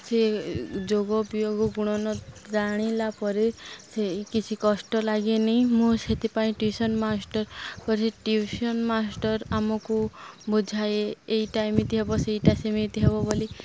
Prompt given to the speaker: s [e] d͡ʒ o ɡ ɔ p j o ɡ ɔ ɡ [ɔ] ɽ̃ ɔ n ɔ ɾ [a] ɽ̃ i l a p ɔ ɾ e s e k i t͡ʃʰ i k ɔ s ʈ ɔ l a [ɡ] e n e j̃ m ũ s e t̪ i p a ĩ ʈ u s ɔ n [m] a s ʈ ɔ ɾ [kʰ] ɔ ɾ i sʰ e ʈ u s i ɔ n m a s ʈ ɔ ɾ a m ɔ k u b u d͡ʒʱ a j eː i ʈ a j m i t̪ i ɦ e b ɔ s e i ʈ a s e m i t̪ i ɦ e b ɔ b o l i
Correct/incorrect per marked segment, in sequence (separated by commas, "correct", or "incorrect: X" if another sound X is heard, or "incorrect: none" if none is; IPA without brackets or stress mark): correct, incorrect: u, correct, correct, correct, incorrect: k